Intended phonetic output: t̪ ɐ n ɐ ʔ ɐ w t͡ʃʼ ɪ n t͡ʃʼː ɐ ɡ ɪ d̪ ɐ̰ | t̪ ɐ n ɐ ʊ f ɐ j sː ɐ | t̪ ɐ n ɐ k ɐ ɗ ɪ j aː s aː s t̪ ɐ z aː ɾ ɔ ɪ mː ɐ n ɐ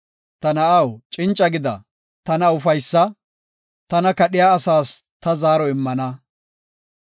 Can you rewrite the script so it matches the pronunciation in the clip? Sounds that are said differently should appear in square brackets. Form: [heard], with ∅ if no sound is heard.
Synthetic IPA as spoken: t̪ ɐ n ɐ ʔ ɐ w t͡ʃʼ ɪ n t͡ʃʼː ɐ ɡ ɪ d̪ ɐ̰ | t̪ ɐ n ɐ ʊ f ɐ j sː ɐ | t̪ ɐ n ɐ k ɐ ɗ ɪ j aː s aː s t̪ ɐ z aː ɾ ɔ ɪ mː ɐ n ɐ